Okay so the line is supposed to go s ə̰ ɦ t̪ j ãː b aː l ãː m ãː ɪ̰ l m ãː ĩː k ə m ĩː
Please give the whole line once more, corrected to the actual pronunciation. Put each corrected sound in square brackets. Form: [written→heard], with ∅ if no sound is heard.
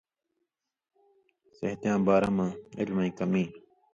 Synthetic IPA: s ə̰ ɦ t̪ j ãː b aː [l→ɾ] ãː m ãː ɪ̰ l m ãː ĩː k ə m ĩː